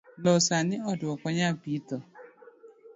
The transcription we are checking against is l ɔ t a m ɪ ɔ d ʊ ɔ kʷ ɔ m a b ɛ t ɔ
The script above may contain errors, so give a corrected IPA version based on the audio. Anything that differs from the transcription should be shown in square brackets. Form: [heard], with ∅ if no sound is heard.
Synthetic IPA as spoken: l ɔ [s] a [n] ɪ ɔ d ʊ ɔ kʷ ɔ [ɲ] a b [i] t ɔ